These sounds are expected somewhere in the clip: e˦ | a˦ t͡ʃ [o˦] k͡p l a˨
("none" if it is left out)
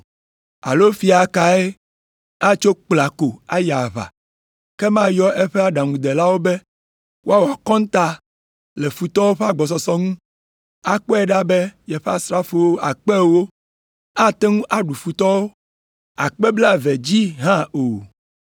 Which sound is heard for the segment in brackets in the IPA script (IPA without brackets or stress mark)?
o˦